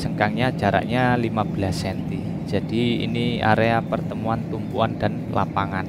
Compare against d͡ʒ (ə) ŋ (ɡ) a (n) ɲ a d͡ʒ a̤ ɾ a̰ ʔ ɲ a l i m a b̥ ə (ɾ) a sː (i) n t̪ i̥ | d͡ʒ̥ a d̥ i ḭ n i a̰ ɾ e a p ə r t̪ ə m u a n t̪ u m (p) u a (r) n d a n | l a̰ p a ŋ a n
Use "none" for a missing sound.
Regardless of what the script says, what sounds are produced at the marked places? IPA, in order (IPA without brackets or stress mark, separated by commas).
ə, k, ŋ, l, ɛ, p, none